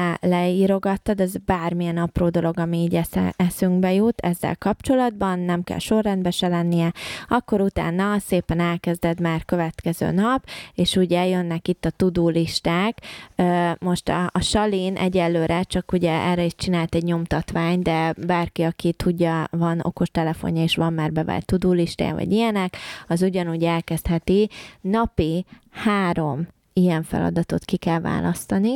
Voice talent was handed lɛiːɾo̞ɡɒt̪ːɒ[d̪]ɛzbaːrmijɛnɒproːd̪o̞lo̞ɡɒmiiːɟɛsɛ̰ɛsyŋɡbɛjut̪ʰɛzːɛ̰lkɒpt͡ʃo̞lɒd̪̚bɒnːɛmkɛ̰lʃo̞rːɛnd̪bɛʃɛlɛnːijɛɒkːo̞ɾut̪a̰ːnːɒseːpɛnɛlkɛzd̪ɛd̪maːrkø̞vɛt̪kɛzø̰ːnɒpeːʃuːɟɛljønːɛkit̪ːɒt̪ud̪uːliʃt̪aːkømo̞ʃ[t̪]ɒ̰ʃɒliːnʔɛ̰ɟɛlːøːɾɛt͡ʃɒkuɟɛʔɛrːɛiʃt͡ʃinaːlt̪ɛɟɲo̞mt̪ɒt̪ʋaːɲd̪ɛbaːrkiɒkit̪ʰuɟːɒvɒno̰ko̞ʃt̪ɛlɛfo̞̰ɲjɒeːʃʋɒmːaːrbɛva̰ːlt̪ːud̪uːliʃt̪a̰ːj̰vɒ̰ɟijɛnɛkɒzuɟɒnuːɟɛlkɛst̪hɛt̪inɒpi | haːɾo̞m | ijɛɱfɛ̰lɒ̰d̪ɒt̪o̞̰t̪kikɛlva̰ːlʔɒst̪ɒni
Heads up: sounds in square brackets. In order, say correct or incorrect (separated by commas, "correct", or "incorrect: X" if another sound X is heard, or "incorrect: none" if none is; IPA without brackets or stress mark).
correct, correct